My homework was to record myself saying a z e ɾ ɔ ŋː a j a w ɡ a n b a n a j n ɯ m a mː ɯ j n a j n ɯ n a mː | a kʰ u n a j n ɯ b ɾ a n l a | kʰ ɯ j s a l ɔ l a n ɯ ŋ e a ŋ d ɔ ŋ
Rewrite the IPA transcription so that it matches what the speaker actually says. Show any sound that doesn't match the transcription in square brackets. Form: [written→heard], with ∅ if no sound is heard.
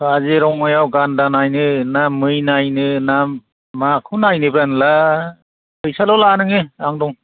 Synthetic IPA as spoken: a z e ɾ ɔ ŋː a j a w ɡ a n [b→d] a n a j n ɯ [m→n] a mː ɯ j n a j n ɯ n a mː | a kʰ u n a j n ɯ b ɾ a n l a | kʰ ɯ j s a l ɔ l a n ɯ ŋ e a ŋ d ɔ ŋ

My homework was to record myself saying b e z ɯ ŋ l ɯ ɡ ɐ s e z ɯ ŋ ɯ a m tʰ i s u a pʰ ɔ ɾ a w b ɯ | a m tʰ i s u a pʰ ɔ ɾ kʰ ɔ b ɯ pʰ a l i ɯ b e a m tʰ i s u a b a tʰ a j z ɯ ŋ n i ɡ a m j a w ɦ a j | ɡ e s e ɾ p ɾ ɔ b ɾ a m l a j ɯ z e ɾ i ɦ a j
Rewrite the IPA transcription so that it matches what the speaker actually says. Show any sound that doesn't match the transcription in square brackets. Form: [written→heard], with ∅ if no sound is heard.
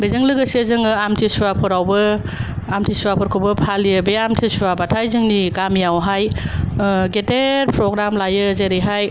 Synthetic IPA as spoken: b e z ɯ ŋ l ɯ ɡ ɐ s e z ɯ ŋ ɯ a m tʰ i s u a pʰ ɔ ɾ a w b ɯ | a m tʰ i s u a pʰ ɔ ɾ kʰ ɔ b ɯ pʰ a l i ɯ b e a m tʰ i s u a b a tʰ a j z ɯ ŋ n i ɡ a m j a w ɦ a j | ɡ e [s→t] e ɾ p ɾ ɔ [b→ɡ] ɾ a m l a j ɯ z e ɾ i ɦ a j

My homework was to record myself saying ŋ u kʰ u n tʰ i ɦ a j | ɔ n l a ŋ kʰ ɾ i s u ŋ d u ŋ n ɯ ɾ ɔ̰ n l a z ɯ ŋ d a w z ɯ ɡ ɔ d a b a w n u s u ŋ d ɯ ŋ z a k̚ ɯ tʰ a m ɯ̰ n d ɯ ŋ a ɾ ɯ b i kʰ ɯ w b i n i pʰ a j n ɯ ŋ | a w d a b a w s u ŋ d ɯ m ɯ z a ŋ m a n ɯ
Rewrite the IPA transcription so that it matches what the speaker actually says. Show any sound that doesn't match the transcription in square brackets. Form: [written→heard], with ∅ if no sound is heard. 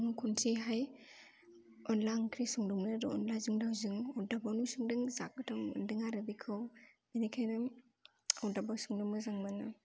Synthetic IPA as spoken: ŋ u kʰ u n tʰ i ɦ a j | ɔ n l a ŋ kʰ ɾ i s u ŋ d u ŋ n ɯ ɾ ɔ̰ n l a z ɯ ŋ d a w z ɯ [ɡ→ŋ] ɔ d a b a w n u s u ŋ d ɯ ŋ z a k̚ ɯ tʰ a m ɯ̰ n d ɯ ŋ a ɾ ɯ b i kʰ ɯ w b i n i [pʰ→kʰ] a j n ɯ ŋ | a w d a b a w s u ŋ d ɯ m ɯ z a ŋ m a n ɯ

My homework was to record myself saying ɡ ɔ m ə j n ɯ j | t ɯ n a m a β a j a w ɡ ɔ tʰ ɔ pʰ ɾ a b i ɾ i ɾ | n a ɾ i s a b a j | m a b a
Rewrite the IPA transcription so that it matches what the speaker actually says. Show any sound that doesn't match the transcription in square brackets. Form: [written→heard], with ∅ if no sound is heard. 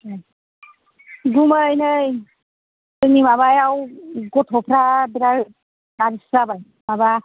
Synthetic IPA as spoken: ɡ [ɔ→u] m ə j n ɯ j | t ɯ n [a→i] m a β a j a w ɡ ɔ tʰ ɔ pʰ ɾ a b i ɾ [i→a] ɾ | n a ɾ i s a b a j | m a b a

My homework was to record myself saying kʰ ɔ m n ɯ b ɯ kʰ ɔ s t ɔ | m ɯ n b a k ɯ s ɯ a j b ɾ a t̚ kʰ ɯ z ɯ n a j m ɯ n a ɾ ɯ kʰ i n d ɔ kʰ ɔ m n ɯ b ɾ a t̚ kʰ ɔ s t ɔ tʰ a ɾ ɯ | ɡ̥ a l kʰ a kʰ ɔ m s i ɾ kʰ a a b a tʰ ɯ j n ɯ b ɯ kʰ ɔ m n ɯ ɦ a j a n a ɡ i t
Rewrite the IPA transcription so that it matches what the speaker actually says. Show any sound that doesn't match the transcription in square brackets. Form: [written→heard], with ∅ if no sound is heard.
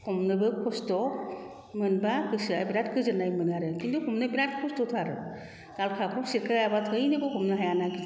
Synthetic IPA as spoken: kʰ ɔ m n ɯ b ɯ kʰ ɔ s t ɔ | m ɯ n b a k ɯ s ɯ a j b ɾ a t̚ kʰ ɯ z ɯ n a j m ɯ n a ɾ ɯ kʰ i n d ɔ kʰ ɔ m n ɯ b ɾ a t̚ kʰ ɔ s t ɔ tʰ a ɾ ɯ | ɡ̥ a l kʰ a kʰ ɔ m s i ɾ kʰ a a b a tʰ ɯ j n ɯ b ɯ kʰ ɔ m n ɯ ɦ a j a n a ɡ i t

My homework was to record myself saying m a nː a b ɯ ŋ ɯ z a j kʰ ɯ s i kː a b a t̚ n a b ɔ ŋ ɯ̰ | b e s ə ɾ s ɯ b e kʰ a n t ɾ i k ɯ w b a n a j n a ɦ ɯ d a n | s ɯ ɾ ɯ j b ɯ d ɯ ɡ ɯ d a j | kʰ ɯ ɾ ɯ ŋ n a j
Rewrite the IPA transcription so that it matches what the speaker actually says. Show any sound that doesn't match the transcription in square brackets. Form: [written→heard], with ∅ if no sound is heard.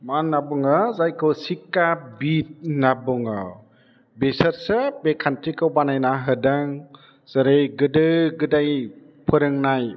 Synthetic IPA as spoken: m a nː a b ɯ ŋ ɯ z a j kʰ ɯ s i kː a b [a→i] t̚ n a b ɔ ŋ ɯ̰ | b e s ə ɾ s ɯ b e kʰ a n t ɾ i k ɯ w b a n a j n a ɦ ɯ d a [n→ŋ] | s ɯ ɾ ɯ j [b→ɡ] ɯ d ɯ ɡ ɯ d a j | [kʰ→pʰ] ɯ ɾ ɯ ŋ n a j

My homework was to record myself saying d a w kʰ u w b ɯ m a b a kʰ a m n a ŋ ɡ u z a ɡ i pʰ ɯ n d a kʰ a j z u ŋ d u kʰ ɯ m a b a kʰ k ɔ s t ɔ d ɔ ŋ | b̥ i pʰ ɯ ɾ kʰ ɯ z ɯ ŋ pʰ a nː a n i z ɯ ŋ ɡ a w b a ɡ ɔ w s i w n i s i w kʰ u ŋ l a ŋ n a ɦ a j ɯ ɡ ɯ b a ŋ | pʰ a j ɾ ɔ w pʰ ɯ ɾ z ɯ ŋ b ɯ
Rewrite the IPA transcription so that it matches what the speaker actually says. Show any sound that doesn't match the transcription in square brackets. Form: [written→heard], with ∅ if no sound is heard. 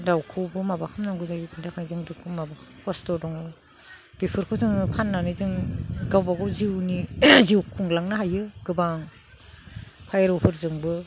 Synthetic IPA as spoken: d a w kʰ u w b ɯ m a b a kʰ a m n a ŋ ɡ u z a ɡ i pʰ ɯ n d a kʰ a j z [u→ɯ] ŋ d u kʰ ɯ m a b a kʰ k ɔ s t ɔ d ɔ ŋ | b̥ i pʰ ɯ ɾ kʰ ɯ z ɯ ŋ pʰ a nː a n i z ɯ ŋ ɡ a w b a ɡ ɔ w [s→z] i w n i [s→z] i w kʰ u ŋ l a ŋ n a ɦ a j ɯ ɡ ɯ b a ŋ | pʰ a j ɾ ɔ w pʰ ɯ ɾ z ɯ ŋ b ɯ

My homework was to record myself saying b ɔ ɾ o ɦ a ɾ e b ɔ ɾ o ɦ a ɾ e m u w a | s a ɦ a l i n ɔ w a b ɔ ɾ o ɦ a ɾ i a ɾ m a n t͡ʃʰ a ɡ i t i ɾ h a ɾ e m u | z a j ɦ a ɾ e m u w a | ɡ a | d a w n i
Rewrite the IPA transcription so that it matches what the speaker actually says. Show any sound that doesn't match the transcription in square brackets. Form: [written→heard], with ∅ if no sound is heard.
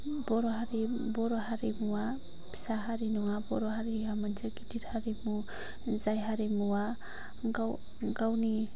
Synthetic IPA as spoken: b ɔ ɾ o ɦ a ɾ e b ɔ ɾ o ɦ a ɾ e m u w a | s a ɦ a [l→ɾ] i n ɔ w a b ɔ ɾ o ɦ a ɾ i a [ɾ→∅] m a n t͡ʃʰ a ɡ i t i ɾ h a ɾ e m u | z a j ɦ a ɾ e m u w a | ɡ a | [d→ɡ] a w n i

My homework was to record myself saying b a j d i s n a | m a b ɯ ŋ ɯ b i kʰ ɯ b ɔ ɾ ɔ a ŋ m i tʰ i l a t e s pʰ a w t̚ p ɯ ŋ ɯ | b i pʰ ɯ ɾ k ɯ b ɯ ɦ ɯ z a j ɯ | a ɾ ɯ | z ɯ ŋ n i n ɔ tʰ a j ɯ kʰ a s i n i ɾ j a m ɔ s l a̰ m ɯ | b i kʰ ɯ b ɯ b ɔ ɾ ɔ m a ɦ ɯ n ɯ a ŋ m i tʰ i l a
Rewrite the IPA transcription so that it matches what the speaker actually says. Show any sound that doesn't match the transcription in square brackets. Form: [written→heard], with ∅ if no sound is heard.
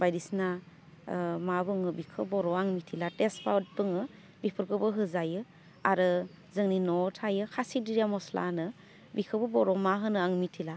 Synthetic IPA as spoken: b a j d i s n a | m a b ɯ ŋ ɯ b i kʰ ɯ b ɔ ɾ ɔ a ŋ m i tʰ i l a t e s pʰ a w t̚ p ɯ ŋ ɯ | b i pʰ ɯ ɾ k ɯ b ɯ ɦ ɯ z a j ɯ | a ɾ ɯ | z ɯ ŋ n i n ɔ tʰ a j ɯ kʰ a s i [n→d] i ɾ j a m ɔ s l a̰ [m→n] ɯ | b i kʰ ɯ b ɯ b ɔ ɾ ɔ m a ɦ ɯ n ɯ a ŋ m i tʰ i l a

